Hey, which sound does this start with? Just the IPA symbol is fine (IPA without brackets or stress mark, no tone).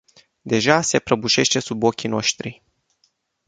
d̪